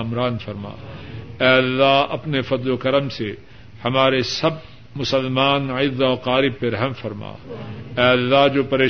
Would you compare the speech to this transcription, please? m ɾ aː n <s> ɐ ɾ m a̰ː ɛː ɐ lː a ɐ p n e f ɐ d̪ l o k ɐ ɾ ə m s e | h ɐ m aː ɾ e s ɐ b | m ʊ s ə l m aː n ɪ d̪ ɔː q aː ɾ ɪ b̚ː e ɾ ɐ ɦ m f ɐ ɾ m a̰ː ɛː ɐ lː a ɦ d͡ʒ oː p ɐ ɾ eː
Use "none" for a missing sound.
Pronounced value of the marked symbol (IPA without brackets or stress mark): f